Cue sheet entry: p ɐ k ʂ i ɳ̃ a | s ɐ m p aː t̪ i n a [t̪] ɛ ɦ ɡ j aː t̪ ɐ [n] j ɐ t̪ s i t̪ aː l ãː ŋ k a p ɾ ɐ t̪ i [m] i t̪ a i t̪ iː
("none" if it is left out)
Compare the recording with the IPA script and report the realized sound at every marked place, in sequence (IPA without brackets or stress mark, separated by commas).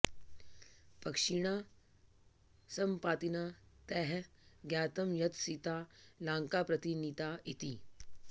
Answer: t̪, m, n